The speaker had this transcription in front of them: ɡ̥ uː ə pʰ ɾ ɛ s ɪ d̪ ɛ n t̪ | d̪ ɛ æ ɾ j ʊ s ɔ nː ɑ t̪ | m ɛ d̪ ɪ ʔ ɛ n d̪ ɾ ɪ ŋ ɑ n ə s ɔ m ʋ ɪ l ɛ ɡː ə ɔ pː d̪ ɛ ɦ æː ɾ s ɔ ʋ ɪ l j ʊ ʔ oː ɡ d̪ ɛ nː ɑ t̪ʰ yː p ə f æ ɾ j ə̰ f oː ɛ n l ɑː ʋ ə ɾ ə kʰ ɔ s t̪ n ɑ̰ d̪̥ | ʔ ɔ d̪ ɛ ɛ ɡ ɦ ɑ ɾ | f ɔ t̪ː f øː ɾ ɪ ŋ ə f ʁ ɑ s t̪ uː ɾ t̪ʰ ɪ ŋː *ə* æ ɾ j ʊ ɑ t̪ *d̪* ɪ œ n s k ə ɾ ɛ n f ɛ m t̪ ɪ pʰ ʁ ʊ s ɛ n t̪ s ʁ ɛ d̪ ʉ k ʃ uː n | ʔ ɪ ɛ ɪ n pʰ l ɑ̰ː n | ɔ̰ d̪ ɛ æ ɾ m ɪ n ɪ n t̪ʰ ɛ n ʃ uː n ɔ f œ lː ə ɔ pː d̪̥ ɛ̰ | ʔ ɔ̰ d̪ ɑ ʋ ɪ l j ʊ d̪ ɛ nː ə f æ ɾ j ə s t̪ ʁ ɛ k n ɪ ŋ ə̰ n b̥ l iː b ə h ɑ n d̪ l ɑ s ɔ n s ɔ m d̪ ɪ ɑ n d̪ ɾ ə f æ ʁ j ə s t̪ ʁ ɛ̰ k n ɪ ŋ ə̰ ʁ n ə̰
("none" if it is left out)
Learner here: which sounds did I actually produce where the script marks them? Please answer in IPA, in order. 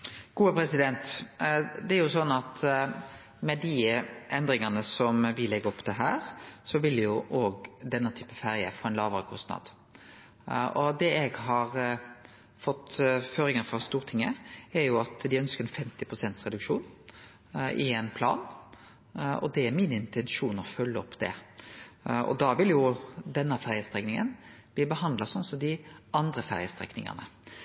ə, d̪

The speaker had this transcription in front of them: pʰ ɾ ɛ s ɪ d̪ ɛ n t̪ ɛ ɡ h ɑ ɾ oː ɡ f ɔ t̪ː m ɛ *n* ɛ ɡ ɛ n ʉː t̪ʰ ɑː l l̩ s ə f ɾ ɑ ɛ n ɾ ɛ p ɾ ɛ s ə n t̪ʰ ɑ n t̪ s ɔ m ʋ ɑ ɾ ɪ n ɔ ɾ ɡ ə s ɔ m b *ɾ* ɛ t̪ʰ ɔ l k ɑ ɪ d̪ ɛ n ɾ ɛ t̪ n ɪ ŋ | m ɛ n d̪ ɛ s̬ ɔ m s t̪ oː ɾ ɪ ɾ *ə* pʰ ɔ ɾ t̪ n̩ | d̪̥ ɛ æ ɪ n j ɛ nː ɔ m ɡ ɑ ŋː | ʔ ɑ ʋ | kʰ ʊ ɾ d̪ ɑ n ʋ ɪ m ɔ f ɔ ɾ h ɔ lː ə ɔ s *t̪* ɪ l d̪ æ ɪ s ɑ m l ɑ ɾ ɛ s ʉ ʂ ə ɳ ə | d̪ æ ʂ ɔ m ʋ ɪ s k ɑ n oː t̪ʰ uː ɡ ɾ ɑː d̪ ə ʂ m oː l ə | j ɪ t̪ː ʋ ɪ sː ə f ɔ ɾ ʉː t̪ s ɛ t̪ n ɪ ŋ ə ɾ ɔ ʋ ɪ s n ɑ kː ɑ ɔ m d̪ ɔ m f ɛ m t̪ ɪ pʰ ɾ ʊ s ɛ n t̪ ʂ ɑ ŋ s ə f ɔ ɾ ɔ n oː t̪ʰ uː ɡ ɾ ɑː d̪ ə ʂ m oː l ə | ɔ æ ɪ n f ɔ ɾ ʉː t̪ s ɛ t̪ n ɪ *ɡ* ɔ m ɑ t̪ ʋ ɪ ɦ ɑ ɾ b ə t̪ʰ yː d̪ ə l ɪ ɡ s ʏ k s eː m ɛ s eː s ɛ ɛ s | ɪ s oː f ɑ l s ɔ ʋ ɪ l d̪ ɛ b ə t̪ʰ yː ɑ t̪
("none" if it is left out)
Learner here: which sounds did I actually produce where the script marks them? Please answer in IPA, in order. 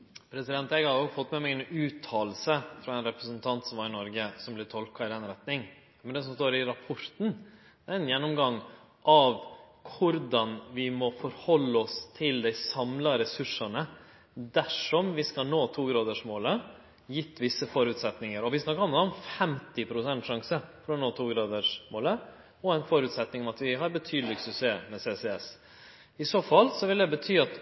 m, l, ɑ, t̪ʰ, ŋ

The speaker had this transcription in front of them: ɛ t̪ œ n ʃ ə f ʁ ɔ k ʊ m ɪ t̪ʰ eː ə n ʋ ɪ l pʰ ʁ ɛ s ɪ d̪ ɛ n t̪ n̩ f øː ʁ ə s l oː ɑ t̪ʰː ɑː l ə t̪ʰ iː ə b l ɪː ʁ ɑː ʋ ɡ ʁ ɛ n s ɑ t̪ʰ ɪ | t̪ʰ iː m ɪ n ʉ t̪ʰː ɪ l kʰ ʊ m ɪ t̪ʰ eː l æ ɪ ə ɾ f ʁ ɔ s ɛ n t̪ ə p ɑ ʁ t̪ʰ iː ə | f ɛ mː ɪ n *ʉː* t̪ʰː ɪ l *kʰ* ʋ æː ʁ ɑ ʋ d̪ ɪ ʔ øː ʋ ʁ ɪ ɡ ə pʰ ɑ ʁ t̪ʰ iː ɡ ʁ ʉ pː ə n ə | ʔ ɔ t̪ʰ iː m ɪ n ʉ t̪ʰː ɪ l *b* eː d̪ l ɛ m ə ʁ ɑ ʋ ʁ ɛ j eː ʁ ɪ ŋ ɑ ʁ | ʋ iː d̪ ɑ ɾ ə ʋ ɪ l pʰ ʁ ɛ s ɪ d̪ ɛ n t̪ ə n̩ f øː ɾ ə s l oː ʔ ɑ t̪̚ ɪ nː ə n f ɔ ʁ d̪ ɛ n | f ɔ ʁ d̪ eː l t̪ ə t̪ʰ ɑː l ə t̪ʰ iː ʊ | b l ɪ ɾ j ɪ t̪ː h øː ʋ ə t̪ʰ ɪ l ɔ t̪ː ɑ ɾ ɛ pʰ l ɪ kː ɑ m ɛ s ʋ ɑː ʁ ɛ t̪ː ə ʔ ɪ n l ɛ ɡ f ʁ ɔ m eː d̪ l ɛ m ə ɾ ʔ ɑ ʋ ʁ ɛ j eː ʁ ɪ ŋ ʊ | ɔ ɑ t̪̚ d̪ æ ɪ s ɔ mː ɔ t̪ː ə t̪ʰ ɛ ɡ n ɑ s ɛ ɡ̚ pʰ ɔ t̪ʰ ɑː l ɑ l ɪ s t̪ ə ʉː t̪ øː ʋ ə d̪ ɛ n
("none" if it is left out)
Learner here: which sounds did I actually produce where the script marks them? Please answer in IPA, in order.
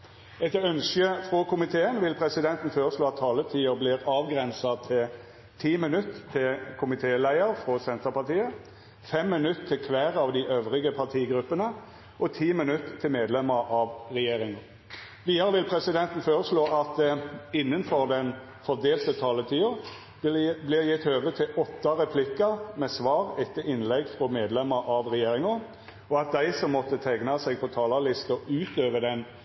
ʉ, kʰ, m

